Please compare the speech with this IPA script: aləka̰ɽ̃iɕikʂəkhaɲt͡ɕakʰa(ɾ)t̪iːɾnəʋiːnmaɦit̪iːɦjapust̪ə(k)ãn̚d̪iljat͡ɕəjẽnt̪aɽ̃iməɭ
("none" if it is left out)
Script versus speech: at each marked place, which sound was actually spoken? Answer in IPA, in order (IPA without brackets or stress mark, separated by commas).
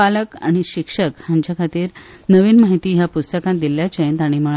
none, k